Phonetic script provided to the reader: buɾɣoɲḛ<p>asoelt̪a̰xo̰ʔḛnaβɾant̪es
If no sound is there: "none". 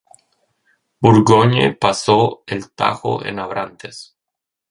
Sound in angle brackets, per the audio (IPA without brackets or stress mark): p